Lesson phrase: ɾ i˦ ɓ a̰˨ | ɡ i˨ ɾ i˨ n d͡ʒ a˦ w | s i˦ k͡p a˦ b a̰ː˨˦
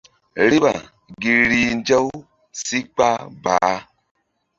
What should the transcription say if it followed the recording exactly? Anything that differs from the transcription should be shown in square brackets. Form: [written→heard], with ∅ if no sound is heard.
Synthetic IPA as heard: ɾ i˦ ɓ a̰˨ | ɡ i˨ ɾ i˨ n d͡ʒ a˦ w | s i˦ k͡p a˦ b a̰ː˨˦